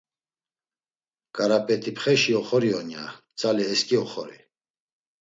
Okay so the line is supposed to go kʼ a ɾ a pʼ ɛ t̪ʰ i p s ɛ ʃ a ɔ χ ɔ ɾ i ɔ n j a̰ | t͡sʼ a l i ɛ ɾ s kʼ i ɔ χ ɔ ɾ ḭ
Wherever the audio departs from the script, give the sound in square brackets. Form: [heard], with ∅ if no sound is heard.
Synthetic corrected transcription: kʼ a ɾ a pʼ ɛ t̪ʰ i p [χ] ɛ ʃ [i] ɔ χ ɔ ɾ i ɔ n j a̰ | t͡sʼ a l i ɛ [∅] s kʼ i ɔ χ ɔ ɾ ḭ